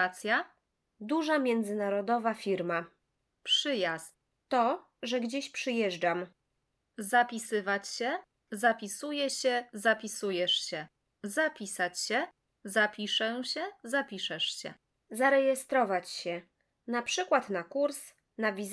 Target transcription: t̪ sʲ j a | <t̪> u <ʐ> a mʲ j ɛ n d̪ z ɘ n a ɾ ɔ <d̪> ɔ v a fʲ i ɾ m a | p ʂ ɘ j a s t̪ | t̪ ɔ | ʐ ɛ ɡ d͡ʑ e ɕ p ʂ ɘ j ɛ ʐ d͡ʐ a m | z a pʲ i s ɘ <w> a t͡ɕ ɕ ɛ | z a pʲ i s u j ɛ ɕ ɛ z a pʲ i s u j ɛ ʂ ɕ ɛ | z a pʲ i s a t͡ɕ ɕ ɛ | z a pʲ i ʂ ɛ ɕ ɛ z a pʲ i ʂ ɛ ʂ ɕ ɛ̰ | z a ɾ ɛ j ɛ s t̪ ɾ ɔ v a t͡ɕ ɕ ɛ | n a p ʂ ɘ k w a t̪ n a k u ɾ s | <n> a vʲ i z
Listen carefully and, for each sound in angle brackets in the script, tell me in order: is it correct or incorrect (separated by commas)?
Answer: incorrect, correct, correct, incorrect, correct